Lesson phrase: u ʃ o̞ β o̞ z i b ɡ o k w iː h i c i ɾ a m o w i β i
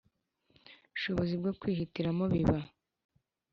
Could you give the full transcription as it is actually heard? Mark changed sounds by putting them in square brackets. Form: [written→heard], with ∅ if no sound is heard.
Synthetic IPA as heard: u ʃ o̞ β o̞ z i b ɡ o k w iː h i [c→t] i ɾ a m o [w→β] i β [i→a]